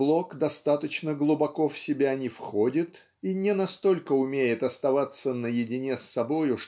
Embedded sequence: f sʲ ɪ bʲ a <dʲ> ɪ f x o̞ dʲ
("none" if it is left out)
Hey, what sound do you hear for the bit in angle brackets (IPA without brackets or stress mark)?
nʲ